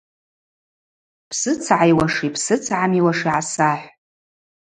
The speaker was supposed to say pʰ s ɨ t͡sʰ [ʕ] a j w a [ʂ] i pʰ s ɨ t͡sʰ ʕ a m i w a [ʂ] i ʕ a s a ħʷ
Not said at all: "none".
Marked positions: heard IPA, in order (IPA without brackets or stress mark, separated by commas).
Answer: ʕ, ʂ, ʂ